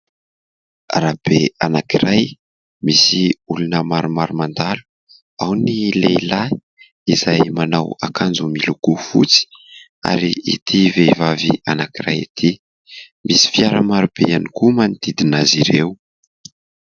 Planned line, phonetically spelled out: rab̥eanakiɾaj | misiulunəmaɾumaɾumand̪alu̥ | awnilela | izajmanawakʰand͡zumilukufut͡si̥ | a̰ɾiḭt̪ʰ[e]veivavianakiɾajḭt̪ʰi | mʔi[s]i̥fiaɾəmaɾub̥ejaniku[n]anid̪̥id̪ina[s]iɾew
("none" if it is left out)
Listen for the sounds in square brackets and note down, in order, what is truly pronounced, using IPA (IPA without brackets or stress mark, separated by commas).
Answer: i, s, m, z